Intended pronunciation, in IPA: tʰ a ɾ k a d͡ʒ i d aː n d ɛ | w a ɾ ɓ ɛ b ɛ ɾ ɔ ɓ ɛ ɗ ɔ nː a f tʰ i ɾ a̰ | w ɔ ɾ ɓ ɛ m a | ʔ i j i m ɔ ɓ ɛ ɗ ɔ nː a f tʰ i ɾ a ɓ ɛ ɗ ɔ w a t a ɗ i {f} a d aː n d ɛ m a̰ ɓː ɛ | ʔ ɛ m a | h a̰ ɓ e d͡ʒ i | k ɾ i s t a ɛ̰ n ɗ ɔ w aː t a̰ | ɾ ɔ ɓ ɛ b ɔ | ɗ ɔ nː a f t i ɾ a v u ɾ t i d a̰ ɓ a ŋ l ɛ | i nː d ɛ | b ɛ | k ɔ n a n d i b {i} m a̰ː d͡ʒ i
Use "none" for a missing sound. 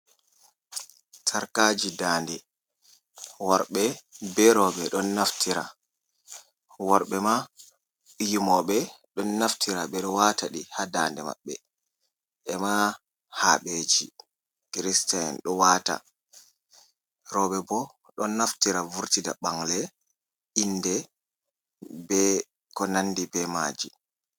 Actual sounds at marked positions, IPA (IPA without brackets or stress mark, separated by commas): h, ɛ